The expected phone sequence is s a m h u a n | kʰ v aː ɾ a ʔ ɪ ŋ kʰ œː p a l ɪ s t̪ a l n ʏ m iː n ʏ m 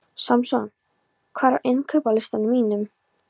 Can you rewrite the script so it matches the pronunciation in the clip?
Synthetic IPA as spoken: s a m s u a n | kʰ v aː ɾ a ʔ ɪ n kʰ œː p a l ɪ s t̪ a n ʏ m iː n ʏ m